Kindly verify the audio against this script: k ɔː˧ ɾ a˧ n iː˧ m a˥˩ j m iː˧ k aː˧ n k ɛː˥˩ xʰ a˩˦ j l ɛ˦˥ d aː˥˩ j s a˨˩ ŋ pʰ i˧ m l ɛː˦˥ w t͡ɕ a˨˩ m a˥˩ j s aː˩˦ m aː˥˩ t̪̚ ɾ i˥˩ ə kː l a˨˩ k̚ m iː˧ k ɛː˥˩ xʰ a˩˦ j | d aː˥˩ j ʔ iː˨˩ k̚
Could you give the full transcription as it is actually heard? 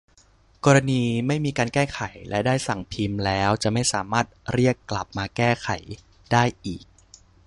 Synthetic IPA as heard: k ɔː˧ ɾ a˧ n iː˧ m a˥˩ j m iː˧ k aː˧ n k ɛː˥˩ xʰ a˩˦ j l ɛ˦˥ d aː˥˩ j s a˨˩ ŋ pʰ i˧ m l ɛː˦˥ w t͡ɕ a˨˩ m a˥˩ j s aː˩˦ m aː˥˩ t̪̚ ɾ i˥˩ ə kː l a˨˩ p̚ m aː˧ k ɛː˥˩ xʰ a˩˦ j | d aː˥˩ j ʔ iː˨˩ k̚